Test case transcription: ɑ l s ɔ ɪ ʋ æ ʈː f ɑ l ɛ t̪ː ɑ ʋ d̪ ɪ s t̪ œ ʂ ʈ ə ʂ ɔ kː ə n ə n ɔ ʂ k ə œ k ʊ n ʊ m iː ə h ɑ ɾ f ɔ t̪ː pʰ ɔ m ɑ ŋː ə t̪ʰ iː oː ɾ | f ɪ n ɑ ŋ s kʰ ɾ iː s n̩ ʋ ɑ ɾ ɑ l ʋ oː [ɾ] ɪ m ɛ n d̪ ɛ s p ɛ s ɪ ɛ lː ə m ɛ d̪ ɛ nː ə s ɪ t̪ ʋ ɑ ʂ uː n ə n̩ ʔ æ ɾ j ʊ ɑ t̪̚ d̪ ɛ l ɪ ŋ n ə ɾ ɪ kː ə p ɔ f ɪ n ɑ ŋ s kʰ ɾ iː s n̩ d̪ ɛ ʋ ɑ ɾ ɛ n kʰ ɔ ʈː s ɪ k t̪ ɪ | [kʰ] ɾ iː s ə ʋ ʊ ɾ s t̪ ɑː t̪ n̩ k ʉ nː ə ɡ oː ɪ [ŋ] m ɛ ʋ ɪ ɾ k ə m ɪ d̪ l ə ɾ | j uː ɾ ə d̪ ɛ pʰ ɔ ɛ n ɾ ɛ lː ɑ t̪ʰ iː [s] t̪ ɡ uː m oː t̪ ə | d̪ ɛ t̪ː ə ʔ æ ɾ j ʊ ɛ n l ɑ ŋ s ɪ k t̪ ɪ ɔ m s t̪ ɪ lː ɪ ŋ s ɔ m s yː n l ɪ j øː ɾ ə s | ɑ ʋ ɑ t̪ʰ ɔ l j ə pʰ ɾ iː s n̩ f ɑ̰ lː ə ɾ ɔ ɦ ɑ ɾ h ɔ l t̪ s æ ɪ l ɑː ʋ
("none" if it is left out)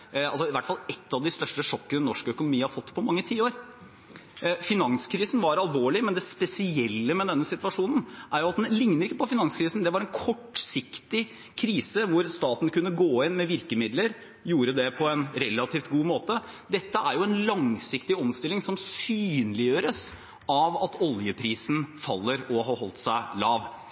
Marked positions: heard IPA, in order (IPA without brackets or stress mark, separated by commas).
ɭ, kʰ, n, f